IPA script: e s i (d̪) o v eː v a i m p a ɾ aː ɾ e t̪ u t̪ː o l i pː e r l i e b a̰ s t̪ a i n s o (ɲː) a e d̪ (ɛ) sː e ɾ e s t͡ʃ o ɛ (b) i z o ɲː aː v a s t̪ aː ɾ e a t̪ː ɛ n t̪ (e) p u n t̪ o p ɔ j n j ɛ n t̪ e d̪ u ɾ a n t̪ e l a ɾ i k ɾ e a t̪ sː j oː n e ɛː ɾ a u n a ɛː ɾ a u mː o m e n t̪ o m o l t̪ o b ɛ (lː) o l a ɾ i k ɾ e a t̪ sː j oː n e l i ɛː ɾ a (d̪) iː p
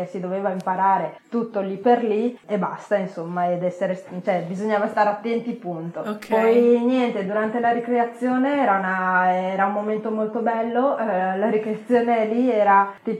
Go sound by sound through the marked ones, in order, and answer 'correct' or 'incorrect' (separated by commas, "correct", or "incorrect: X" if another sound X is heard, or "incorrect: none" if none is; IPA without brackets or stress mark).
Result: correct, incorrect: mː, correct, correct, incorrect: i, correct, incorrect: t̪